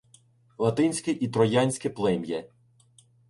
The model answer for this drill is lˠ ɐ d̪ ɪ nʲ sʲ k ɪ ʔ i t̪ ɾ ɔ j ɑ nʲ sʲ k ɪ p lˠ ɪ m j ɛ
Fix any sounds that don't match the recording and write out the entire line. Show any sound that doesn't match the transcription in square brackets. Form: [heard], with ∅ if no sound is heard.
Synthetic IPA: lˠ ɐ [t̪] ɪ nʲ sʲ k ɪ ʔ i t̪ ɾ ɔ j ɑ nʲ sʲ k ɪ p lˠ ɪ m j ɛ